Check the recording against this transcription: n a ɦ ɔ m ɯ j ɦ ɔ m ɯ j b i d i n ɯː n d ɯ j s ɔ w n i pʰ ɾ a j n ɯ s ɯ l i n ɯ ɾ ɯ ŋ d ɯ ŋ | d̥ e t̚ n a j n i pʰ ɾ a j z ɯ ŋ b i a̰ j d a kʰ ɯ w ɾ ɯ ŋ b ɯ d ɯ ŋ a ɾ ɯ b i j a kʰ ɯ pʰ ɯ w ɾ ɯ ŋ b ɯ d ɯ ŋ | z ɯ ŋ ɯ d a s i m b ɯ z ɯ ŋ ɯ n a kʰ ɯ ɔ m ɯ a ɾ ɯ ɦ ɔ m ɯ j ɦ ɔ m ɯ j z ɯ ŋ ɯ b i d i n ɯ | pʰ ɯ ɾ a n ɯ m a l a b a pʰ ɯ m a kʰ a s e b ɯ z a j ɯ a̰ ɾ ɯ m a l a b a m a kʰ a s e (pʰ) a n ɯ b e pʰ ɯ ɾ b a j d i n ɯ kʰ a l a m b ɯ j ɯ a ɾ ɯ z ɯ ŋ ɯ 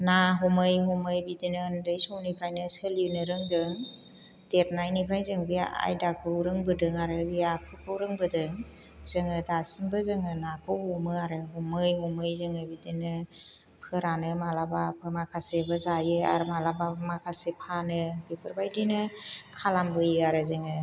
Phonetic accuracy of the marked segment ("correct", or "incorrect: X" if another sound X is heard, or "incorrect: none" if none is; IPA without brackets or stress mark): correct